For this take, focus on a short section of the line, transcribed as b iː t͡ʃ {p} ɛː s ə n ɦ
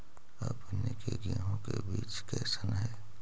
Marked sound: incorrect: k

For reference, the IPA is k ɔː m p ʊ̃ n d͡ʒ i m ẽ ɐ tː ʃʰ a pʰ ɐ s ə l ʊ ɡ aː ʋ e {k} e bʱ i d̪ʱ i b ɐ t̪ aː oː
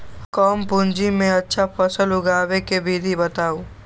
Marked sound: correct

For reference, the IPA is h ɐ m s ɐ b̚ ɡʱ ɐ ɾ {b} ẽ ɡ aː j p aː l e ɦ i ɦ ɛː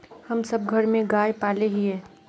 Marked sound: incorrect: m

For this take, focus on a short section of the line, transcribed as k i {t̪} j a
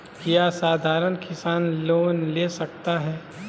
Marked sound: incorrect: none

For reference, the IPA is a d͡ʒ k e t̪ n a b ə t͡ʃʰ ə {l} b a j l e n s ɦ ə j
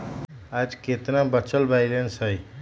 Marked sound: correct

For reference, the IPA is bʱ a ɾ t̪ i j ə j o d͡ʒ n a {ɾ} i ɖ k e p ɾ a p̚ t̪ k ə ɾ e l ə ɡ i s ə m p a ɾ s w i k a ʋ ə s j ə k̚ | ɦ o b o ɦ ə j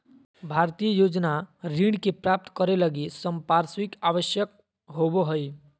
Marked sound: correct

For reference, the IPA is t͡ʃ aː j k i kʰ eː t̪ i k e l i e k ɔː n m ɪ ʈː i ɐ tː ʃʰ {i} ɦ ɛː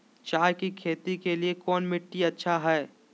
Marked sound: incorrect: a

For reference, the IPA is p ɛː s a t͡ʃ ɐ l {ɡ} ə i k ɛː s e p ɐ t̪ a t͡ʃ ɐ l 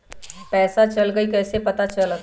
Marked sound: correct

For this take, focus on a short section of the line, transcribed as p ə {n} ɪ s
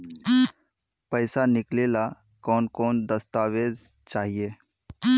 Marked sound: incorrect: none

